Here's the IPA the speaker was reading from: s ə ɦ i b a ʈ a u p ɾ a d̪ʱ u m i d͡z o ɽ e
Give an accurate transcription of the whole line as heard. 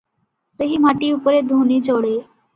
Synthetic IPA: s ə ɦ i m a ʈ i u p ɾ e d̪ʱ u n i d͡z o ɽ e